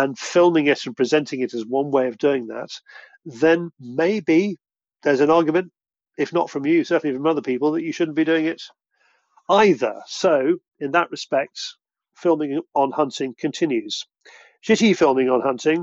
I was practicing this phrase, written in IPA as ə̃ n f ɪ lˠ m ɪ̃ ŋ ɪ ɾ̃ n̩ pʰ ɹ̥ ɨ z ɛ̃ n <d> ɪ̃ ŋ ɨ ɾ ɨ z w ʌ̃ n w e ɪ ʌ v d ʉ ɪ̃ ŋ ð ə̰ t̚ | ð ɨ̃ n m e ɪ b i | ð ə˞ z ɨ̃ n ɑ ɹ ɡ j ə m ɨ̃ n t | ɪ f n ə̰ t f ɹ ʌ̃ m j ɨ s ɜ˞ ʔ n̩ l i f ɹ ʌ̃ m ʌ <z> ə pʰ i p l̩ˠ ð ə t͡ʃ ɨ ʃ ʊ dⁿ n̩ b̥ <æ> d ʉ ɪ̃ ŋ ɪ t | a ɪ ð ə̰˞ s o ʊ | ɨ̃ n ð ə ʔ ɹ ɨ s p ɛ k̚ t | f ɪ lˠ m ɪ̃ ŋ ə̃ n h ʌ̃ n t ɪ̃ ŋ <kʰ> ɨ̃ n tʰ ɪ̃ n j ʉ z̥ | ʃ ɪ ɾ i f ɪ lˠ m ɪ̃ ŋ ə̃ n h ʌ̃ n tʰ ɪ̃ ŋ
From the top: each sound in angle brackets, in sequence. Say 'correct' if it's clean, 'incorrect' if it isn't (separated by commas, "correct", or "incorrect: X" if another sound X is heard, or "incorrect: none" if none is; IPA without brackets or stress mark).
incorrect: t, incorrect: ð, incorrect: i, correct